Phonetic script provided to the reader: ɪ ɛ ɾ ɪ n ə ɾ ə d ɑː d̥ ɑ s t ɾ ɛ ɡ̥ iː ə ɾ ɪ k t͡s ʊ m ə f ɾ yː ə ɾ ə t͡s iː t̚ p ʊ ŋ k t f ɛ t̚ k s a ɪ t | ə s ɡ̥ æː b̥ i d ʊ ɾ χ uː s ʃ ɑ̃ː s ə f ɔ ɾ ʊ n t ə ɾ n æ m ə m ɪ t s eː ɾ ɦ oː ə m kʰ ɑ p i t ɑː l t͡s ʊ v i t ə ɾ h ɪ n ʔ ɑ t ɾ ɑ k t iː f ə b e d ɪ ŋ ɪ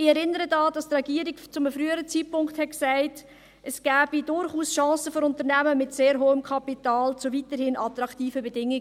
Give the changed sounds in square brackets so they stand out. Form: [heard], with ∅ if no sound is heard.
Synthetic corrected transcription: ɪ ɛ ɾ ɪ n ə ɾ ə d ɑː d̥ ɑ s t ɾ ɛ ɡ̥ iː ə ɾ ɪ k t͡s ʊ m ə f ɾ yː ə ɾ ə t͡s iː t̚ p ʊ ŋ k t [h] ɛ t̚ k s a ɪ t | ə s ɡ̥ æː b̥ i d ʊ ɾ χ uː s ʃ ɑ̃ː s ə f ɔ ɾ ʊ n t ə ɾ n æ m ə m ɪ t s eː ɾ ɦ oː ə m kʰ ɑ p i t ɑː l t͡s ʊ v i t ə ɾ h ɪ n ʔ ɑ t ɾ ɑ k t iː f ə b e d ɪ ŋ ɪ